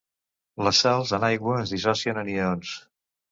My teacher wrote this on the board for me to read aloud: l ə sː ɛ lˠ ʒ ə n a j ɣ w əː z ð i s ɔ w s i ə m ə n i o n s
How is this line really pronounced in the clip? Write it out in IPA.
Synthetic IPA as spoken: l ə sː ɛ lˠ z ə n a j ɣ w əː z ð i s ɔ s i ə n ə n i o n s